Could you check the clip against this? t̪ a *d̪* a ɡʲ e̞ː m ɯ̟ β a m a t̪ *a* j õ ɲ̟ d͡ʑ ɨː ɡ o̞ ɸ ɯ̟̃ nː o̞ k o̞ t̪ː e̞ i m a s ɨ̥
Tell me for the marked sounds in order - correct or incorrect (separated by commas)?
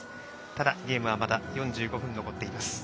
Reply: correct, correct